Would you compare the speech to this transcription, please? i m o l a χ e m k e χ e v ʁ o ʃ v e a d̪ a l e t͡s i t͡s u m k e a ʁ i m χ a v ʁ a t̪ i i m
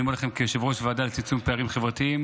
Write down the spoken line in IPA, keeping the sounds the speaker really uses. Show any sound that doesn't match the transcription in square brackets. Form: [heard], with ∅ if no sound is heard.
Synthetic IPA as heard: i m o l a χ e m k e [ʃ] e v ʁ o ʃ v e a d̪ a l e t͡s i t͡s u m [p] e a ʁ i m χ [e] v ʁ a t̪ i i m